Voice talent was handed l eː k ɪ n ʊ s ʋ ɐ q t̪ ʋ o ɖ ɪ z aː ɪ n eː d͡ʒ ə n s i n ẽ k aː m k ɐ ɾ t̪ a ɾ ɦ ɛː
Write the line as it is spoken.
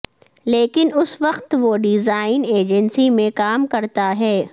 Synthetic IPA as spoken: l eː k ɪ n ʊ s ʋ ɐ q t̪ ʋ o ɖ ɪ z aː ɪ n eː d͡ʒ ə n s i m ẽ k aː m k ɐ ɾ t̪ a ɦ ɛː